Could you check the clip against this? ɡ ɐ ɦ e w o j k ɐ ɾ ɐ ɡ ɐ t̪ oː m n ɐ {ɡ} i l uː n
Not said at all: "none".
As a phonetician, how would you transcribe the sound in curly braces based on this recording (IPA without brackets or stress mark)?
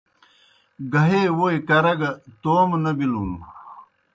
b